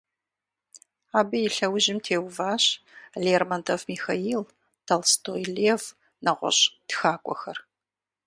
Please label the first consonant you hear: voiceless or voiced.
voiced